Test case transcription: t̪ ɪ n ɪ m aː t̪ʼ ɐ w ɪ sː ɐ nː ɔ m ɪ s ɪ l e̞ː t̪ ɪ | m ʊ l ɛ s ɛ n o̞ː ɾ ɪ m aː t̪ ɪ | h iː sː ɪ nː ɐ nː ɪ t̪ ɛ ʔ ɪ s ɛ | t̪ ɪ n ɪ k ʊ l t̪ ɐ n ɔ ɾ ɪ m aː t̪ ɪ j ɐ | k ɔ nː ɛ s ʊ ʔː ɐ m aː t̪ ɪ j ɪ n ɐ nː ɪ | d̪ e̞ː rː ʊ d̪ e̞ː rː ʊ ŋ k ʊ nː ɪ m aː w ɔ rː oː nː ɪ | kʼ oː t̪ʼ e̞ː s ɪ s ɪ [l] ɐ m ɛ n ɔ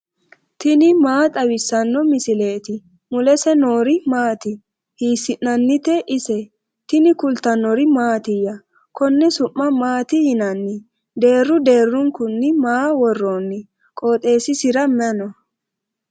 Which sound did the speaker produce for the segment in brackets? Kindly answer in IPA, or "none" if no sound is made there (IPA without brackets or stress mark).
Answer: ɾ